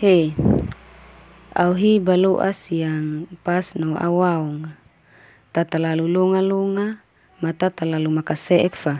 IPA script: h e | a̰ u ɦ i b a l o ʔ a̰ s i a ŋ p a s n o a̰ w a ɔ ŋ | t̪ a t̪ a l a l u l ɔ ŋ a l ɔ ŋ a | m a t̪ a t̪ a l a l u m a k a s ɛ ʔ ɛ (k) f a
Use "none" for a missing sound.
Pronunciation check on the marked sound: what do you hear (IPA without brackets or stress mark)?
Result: k